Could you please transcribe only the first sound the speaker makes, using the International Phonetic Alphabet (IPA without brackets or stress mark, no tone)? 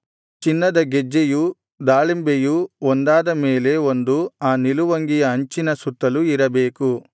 t͡ʃ